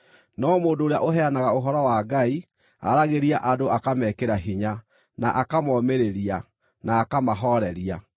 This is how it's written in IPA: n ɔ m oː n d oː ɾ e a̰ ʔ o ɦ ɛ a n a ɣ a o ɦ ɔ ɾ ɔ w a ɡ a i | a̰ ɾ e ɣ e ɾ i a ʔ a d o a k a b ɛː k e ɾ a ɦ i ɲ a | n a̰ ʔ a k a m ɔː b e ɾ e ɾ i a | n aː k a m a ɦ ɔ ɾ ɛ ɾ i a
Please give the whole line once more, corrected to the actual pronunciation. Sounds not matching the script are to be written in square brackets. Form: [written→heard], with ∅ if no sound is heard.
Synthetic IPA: n ɔ m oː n d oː ɾ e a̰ ʔ o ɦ ɛ a n a ɣ a o ɦ ɔ ɾ ɔ w a ɡ a i | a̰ ɾ [e→a] ɣ e ɾ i a ʔ a d o a k a [b→m] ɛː k e ɾ a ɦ i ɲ a | n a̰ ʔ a k a m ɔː [b→m] e ɾ e ɾ i a | n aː k a m a ɦ ɔ ɾ ɛ ɾ i a

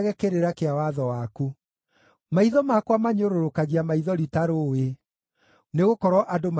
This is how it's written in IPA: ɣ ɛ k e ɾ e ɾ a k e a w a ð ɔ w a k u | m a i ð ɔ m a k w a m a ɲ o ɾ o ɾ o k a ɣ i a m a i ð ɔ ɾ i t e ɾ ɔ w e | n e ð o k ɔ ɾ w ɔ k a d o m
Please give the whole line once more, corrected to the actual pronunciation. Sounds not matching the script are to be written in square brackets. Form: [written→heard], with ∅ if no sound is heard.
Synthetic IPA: ɣ ɛ k e ɾ e ɾ a k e a w a ð ɔ w a k u | m a i ð ɔ m a k w a m a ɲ o ɾ o ɾ o k a ɣ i a m a i ð ɔ ɾ i t [e→a] ɾ [ɔ→o] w e | n e [ð→ɣ] o k ɔ ɾ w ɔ [k→ʔ] a d o m

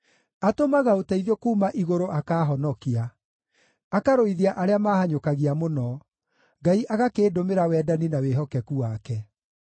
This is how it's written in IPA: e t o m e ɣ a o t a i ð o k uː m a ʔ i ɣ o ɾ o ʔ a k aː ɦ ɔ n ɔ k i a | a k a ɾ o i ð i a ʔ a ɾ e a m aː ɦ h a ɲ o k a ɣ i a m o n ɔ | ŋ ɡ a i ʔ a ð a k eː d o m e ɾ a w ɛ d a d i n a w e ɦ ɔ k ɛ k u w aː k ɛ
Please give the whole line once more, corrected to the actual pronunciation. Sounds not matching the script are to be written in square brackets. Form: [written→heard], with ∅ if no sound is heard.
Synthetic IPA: [e→a] t o m [e→a] ɣ a o t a i ð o k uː m a ʔ i ɣ o ɾ o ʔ a k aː ɦ ɔ n ɔ k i a | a k a ɾ o i ð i a ʔ a ɾ e a m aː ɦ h a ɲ o k a ɣ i a m o n ɔ | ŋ ɡ a i ʔ a [ð→ɣ] a k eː d o m e ɾ a w ɛ d a [d→n] i n a w e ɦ ɔ k ɛ k u w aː k ɛ

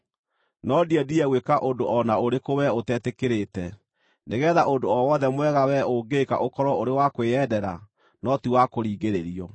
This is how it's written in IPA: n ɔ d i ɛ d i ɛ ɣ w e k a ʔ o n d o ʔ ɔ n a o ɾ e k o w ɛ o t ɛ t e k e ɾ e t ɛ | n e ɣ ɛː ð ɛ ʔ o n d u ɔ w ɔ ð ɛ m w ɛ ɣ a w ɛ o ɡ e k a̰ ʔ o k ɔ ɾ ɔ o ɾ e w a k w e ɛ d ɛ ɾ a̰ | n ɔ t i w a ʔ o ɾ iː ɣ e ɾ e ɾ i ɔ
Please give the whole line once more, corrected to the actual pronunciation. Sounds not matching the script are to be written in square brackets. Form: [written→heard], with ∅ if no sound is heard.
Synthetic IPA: n ɔ d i ɛ d i ɛ ɣ w e k a ʔ o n d o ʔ ɔ n a o ɾ e k o w ɛ o t ɛ t e k e ɾ e t ɛ | n e ɣ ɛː ð [ɛ→a] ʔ o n d [u→o] ɔ w ɔ ð ɛ m w ɛ ɣ a w ɛ o ɡ e k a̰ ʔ o k ɔ ɾ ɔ o ɾ e w a k w e ɛ d ɛ ɾ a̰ | n ɔ t i w a [ʔ→k] o ɾ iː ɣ e ɾ e ɾ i ɔ

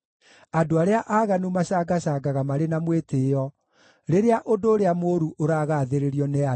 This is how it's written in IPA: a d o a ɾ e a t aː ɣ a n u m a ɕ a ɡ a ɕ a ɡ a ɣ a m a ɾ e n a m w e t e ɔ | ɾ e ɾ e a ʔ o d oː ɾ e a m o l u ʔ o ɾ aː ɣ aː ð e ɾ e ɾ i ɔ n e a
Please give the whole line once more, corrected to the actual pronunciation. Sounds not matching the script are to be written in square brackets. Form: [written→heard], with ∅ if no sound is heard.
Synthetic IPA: a d o a ɾ e a [t→ʔ] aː ɣ a n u m a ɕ a ɡ a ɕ a ɡ a ɣ a m a ɾ e n a m w e t e ɔ | ɾ e ɾ e a ʔ o d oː ɾ e a m o [l→ɾ] u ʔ o ɾ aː ɣ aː ð e ɾ e ɾ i ɔ n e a

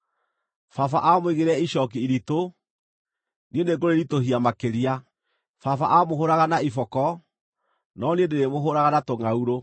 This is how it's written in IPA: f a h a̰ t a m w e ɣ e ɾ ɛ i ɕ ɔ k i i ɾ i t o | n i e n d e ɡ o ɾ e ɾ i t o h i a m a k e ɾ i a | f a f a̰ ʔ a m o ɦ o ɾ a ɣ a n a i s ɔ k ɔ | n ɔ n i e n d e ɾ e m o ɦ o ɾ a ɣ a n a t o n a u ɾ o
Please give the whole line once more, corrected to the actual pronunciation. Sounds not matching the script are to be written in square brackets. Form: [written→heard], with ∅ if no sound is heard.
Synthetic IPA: f a [h→f] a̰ [t→ʔ] a m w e ɣ e ɾ ɛ i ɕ ɔ k i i ɾ i t o | n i e n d e ɡ o ɾ e ɾ i t o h i a m a k e ɾ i a | f a f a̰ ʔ a m o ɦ o ɾ a ɣ a n a i [s→f] ɔ k ɔ | n ɔ n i e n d e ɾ e m o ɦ o ɾ a ɣ a n a t o [n→ŋ] a u ɾ o

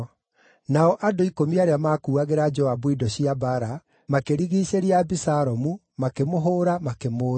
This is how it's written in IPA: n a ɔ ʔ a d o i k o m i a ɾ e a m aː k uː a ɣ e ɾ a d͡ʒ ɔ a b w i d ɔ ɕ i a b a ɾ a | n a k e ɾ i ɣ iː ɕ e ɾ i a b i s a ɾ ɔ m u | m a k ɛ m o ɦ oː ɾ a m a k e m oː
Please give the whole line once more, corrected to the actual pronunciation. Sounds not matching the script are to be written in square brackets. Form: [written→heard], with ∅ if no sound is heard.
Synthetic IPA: n a ɔ ʔ a d o i k o m i a ɾ e a m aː k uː a ɣ e ɾ a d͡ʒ ɔ a b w i d ɔ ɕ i a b a ɾ a | [n→m] a k e ɾ i ɣ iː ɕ e ɾ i a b i s a ɾ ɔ m u | m a k [ɛ→e] m o ɦ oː ɾ a m a k e m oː

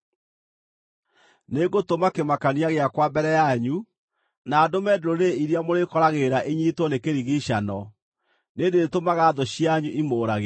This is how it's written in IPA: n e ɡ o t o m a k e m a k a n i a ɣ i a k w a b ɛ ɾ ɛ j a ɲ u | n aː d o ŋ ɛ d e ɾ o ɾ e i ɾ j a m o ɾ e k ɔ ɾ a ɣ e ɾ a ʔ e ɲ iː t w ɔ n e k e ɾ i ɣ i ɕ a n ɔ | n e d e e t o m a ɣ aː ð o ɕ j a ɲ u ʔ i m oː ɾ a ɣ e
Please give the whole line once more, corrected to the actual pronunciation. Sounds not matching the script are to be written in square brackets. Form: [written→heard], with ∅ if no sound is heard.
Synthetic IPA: n e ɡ o t o m a k e m a k a n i a ɣ [i→e] a k w a b ɛ ɾ ɛ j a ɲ u | n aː d o [ŋ→m] ɛ d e ɾ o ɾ e i ɾ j a m o ɾ e k ɔ ɾ a ɣ e ɾ a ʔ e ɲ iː t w ɔ n e k e ɾ i ɣ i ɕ a n ɔ | n e d e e t o m a ɣ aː ð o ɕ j a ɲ u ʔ i m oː ɾ a ɣ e

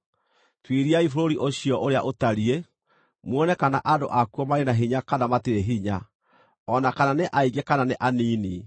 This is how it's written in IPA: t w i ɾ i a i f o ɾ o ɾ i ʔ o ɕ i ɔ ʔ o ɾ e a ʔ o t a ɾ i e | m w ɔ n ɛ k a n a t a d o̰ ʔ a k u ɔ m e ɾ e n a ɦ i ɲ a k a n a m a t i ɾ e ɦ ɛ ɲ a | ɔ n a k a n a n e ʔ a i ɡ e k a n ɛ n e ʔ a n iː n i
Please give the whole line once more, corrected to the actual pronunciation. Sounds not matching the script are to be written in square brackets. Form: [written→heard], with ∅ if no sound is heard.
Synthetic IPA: t w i ɾ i a i f o ɾ o ɾ i ʔ o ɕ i ɔ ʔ o ɾ e a ʔ o t a ɾ i e | m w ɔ n ɛ k a n a [t→ʔ] a d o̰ ʔ a k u ɔ m [e→a] ɾ e n a ɦ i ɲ a k a n a m a t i ɾ e ɦ [ɛ→i] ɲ a | ɔ n a k a n a n e ʔ a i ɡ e k a n [ɛ→a] n e ʔ a n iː n i

